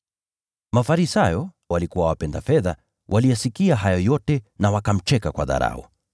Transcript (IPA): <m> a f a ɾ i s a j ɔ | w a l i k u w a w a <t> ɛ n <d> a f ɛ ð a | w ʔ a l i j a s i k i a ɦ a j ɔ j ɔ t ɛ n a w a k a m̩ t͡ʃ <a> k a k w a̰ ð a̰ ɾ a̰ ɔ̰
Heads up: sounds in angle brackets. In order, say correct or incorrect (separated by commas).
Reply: correct, incorrect, correct, incorrect